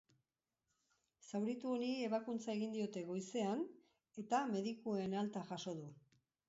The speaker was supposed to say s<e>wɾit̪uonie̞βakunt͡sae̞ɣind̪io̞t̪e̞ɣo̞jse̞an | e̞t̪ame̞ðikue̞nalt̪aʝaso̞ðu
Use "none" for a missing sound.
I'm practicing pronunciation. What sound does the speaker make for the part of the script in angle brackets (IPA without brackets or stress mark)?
a